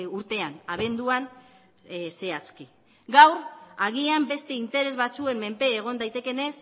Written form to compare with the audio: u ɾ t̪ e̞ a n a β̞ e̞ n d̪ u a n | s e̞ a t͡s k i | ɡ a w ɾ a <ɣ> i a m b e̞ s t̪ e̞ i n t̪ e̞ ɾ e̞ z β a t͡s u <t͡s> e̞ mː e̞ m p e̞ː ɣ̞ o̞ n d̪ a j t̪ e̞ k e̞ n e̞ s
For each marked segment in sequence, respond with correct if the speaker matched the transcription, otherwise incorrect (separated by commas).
correct, incorrect